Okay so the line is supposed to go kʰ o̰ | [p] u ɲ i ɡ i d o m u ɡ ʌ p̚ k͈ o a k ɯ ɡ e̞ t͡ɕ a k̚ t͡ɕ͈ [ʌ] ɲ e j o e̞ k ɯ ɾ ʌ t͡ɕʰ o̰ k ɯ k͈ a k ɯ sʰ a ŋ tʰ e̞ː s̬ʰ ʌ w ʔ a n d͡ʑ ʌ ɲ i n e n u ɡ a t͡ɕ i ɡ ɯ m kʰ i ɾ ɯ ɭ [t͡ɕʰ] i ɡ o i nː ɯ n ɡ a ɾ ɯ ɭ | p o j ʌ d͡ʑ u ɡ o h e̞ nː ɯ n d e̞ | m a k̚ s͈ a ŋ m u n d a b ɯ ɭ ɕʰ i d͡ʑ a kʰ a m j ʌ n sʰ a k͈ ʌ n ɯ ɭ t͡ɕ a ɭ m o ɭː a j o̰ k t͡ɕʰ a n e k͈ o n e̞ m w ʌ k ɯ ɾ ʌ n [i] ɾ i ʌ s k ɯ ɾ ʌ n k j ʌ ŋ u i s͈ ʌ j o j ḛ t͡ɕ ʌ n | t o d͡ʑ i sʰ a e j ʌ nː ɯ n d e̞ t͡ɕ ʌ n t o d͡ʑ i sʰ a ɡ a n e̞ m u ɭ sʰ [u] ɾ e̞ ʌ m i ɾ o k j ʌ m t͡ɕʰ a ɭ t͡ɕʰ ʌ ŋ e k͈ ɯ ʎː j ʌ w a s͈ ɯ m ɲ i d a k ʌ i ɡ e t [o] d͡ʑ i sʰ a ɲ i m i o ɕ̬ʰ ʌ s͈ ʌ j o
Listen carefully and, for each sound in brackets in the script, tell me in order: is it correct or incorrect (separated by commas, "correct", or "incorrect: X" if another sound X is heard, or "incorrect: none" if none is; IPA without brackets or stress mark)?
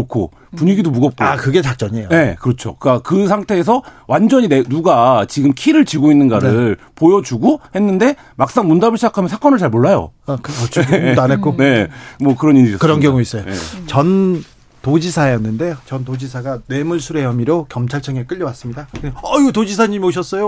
correct, correct, incorrect: t͡ɕ, correct, correct, correct